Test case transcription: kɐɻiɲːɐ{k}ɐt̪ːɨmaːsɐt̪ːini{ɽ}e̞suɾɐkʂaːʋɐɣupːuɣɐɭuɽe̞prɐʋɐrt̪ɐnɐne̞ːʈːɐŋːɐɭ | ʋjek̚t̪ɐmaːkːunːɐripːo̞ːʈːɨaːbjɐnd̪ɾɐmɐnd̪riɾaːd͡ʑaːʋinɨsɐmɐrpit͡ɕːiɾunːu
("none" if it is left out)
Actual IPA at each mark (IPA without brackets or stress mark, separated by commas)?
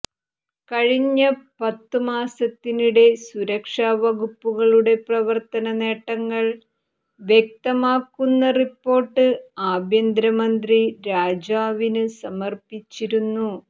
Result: p, ɽ